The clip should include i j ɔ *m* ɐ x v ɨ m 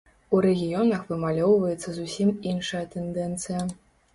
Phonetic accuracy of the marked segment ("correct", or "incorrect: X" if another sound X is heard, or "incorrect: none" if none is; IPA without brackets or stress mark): incorrect: n